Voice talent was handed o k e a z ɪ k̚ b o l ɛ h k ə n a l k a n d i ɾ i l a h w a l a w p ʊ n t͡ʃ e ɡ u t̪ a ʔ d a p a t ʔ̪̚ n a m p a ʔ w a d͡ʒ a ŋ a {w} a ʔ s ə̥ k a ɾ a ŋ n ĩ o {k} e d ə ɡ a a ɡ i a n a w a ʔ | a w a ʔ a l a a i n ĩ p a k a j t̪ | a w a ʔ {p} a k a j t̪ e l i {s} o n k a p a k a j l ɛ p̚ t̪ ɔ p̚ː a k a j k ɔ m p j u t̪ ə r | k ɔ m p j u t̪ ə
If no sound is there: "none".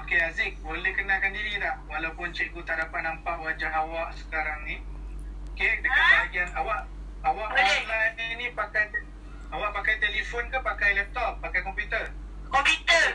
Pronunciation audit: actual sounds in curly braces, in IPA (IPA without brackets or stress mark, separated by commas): w, k, p, f